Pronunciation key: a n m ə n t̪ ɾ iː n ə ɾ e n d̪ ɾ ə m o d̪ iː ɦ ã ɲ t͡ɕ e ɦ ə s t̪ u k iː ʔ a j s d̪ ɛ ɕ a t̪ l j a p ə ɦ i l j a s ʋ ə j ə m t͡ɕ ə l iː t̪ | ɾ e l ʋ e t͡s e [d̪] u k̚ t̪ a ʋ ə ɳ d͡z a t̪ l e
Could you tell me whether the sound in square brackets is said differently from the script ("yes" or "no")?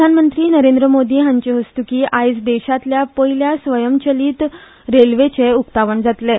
yes